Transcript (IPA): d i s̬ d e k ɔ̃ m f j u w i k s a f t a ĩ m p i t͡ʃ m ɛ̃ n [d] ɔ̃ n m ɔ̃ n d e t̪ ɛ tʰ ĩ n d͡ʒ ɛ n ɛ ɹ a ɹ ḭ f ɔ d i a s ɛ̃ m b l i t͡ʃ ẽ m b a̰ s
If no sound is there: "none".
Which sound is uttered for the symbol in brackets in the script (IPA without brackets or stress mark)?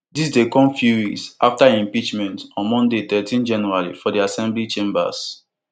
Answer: t